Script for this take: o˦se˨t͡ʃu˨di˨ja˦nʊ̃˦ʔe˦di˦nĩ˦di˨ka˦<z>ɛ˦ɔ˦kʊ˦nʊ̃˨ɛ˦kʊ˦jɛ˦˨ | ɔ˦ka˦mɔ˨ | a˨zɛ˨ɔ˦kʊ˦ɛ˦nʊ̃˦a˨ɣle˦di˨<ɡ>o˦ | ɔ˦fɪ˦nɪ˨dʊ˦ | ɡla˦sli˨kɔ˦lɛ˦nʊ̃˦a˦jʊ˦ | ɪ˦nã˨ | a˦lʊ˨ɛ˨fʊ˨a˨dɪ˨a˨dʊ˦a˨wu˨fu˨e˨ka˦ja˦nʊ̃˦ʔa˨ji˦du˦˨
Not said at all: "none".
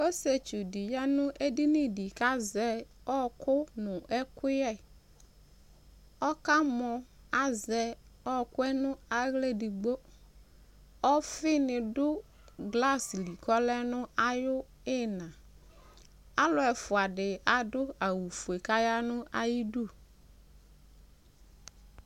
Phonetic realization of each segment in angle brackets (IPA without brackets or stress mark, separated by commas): z, ɡ͡b